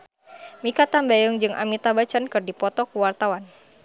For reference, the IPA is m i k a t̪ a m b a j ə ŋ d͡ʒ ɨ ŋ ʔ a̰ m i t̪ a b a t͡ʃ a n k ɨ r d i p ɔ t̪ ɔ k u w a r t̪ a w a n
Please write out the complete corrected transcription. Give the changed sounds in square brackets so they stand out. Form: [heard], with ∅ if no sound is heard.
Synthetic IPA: m i k a t̪ a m b a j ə ŋ d͡ʒ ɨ ŋ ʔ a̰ m i t̪ a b a t͡ʃ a n k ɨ r d i p ɔ t̪ ɔ k u w a r t̪ a w a n